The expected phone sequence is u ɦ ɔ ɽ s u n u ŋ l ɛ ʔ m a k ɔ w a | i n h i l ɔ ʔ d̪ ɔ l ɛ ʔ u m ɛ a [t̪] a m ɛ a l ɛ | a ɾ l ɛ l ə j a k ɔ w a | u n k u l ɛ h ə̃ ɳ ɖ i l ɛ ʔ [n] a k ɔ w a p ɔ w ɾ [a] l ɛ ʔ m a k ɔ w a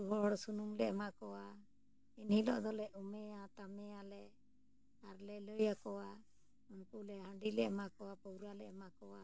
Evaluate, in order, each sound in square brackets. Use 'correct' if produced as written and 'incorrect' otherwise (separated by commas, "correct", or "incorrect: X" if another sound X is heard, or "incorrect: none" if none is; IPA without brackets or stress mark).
correct, incorrect: m, correct